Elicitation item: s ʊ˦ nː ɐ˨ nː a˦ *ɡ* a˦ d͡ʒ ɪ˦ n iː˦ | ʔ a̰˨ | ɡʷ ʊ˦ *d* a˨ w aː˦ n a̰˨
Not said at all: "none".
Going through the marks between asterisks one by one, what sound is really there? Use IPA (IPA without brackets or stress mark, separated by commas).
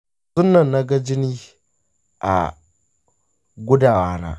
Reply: ɡ, d